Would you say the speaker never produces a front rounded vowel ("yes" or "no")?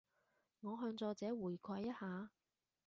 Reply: no